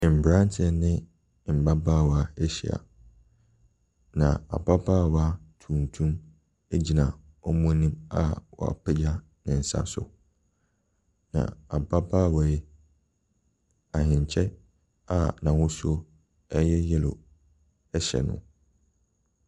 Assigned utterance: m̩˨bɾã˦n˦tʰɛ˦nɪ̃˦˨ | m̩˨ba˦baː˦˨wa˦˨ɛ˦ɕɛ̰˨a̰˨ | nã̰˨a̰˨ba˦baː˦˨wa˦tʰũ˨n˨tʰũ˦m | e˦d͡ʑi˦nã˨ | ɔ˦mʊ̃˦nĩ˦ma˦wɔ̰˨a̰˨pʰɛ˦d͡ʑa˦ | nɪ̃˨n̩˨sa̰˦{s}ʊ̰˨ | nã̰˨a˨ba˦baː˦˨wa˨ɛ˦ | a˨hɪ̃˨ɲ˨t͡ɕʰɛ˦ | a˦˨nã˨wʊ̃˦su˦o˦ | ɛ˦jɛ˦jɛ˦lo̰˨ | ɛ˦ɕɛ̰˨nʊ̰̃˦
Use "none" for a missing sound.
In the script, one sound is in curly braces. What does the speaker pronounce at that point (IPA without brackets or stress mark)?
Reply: s